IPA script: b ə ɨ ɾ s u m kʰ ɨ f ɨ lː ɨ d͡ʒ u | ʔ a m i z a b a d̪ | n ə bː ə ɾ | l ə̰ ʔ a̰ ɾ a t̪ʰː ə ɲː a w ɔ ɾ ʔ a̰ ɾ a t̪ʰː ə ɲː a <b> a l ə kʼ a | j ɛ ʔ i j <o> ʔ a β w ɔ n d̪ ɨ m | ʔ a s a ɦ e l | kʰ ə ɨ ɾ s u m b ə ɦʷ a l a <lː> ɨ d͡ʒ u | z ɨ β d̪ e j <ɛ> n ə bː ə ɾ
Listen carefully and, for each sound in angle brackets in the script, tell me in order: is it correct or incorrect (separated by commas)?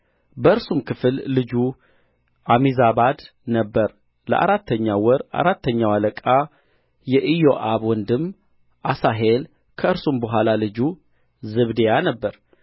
incorrect, correct, incorrect, incorrect